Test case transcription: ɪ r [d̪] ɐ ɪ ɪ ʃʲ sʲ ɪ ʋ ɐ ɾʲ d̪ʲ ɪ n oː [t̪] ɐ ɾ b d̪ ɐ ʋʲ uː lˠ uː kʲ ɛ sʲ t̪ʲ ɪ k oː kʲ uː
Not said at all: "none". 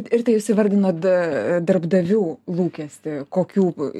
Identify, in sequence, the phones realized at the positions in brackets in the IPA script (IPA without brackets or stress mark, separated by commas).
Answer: t̪, d̪